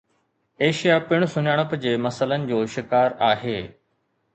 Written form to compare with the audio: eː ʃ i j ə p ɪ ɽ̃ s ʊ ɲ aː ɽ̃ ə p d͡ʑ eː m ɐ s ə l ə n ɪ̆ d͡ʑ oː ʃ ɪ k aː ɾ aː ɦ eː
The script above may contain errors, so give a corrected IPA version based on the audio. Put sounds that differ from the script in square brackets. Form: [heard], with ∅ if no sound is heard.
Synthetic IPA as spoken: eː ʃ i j [a] p ɪ ɽ̃ s ʊ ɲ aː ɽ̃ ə p d͡ʑ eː m ɐ s ə l ə n ɪ̆ d͡ʑ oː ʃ ɪ k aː ɾ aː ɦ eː